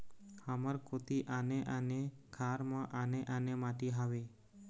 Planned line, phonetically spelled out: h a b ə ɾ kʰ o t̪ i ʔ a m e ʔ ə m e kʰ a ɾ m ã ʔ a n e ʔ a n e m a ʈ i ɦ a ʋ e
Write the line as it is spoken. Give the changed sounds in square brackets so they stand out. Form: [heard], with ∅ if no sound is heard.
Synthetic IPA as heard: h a [m] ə ɾ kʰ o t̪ i ʔ a [n] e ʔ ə [n] e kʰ a ɾ m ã ʔ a n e ʔ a n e m a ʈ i ɦ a ʋ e